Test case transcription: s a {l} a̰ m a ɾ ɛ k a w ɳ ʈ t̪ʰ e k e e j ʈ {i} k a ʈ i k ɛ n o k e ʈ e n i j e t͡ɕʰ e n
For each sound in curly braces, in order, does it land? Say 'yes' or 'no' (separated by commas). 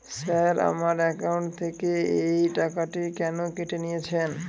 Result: no, no